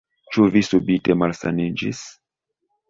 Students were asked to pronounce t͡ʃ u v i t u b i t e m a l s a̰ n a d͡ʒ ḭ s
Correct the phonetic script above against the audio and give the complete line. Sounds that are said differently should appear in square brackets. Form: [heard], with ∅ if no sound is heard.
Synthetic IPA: t͡ʃ u v i [s] u b i t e m a l s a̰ n [i] d͡ʒ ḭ s